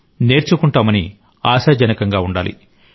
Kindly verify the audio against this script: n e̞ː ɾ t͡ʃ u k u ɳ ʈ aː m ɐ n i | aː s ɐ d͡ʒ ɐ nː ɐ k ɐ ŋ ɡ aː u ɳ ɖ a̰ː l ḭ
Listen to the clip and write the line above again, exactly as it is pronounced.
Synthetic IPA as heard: n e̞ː ɾ t͡ʃ u k u ɳ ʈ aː m ɐ n i | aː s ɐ d͡ʒ ɐ n ɐ k ɐ ŋ ɡ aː u ɳ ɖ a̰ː l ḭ